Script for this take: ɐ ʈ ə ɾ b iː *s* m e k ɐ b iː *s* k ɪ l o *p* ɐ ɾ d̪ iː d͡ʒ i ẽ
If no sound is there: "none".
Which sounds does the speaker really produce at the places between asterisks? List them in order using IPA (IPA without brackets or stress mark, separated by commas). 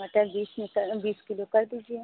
s, s, k